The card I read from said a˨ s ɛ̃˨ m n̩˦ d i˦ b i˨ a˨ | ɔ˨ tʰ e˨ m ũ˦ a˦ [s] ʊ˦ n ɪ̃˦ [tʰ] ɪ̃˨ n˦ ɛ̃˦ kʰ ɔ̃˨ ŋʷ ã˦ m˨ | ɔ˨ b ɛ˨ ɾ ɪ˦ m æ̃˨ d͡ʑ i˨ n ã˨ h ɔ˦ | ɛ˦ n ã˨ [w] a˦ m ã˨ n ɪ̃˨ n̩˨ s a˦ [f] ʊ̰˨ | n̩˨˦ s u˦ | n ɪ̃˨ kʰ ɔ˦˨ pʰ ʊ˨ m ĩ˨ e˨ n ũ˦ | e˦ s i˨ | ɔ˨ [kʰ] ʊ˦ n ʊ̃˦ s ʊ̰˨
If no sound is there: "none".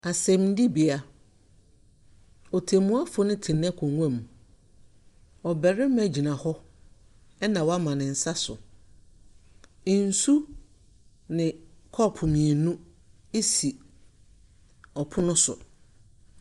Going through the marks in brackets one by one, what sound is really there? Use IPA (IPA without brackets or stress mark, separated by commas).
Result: f, tʰ, w, s, pʰ